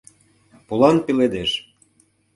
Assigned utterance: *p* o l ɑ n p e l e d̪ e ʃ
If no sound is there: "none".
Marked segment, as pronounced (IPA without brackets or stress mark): p